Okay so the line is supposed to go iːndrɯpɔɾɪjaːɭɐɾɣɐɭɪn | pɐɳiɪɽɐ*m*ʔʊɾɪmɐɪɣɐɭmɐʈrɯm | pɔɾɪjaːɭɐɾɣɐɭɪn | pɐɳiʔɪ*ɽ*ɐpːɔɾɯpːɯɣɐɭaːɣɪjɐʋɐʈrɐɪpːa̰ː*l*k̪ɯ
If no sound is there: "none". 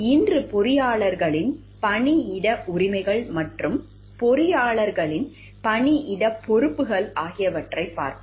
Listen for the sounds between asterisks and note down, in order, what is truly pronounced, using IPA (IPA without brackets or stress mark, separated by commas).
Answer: none, ɽ, ɾ